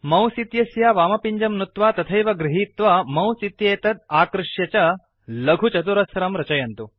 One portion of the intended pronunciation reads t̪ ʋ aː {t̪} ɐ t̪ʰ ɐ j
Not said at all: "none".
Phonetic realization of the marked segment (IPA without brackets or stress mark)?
t̪